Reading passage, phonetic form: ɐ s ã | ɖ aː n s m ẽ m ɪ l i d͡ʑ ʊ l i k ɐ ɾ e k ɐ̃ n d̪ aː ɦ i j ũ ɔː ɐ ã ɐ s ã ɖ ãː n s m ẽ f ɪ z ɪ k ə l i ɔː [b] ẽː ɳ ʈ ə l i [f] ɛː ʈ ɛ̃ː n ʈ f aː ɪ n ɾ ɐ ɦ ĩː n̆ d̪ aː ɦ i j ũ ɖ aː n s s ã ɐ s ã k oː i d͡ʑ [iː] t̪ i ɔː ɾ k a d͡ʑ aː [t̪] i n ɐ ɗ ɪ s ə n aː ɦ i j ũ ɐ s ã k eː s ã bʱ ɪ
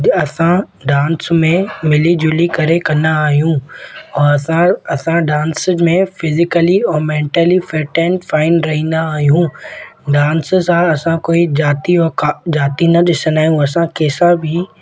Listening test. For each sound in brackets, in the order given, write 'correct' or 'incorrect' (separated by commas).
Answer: incorrect, correct, incorrect, correct